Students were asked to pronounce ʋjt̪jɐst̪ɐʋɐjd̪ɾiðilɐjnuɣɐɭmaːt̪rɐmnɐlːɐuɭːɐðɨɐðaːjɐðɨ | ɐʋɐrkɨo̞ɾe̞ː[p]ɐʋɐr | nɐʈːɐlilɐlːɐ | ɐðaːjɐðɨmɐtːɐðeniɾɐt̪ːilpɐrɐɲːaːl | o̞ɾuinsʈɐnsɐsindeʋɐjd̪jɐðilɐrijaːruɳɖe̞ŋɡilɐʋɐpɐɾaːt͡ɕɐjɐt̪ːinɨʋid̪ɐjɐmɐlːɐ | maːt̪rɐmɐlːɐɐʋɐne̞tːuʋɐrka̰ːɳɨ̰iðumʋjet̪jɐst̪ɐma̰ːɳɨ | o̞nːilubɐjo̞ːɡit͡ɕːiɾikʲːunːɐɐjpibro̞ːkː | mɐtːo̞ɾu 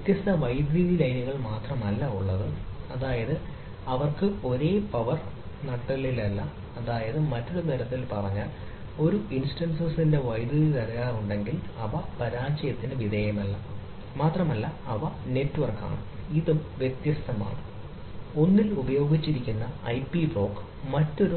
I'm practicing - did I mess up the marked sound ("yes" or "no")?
no